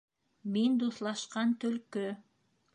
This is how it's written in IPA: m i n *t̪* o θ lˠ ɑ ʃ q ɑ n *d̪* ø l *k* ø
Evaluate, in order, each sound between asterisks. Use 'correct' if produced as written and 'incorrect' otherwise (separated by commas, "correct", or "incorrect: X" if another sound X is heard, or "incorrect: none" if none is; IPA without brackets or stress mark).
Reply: incorrect: d̪, incorrect: t̪, correct